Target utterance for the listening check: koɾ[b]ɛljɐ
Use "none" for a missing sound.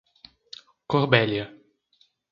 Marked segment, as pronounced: b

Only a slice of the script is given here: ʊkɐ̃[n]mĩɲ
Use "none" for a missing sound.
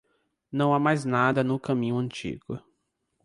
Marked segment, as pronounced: none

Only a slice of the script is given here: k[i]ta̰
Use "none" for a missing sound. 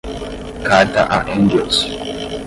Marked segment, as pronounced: a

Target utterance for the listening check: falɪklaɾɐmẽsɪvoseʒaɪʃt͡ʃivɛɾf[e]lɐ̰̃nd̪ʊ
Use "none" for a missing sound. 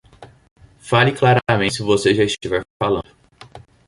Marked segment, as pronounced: a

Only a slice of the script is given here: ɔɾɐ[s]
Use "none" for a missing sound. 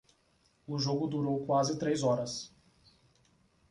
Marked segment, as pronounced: s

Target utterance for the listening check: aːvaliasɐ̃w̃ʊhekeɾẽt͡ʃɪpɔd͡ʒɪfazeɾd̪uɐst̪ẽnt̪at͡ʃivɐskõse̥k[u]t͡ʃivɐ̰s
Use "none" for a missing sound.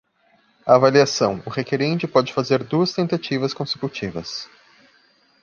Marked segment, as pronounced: u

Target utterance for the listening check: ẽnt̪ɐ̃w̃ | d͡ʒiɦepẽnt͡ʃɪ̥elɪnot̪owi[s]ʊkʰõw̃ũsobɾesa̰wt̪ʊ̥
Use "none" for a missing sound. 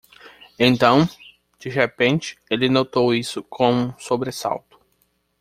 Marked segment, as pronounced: s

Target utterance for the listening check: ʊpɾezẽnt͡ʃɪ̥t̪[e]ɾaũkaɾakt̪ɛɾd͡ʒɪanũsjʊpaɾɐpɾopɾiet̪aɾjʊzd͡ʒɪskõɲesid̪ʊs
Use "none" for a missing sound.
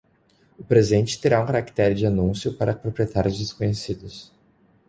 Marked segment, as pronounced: e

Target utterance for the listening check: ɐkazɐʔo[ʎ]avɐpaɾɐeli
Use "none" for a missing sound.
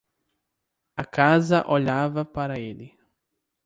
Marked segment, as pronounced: ʎ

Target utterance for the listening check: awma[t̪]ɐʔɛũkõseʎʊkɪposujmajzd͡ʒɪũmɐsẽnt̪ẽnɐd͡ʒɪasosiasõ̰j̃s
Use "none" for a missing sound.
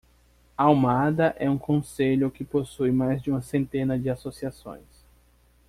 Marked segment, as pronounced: d̪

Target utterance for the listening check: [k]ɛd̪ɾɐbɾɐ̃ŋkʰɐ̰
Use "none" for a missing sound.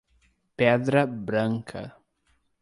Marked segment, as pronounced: p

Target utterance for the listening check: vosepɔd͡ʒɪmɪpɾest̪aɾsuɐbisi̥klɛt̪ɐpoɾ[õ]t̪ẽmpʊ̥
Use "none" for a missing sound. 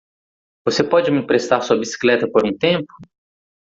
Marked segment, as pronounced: ũ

